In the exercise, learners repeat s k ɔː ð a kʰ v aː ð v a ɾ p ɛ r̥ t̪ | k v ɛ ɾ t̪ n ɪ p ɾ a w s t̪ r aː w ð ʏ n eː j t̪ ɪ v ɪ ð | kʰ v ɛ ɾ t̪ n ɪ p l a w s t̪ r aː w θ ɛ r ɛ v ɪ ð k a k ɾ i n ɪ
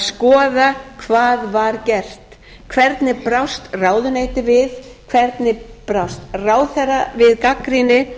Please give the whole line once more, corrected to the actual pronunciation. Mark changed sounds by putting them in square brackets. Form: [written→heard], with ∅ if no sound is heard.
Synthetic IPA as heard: s k ɔː ð a kʰ v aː ð v a ɾ [p→c] ɛ r̥ t̪ | [k→kʰ] v ɛ ɾ t̪ n ɪ p ɾ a w s t̪ r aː w ð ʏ n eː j t̪ ɪ v ɪ ð | kʰ v ɛ ɾ t̪ n ɪ p [l→ɾ] a w s t̪ r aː w θ ɛ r [ɛ→a] v ɪ ð k a k ɾ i n ɪ